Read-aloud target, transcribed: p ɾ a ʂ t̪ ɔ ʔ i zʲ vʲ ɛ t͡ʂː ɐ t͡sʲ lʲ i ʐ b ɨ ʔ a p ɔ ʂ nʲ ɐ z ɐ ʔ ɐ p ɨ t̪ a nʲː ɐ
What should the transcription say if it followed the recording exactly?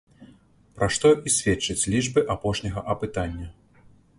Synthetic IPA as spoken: p ɾ a ʂ t̪ ɔ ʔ i sʲ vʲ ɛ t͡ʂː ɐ t͡sʲ lʲ i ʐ b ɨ ʔ a p ɔ ʂ nʲ ɐ ɣ ɐ ʔ ɐ p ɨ t̪ a nʲː ɐ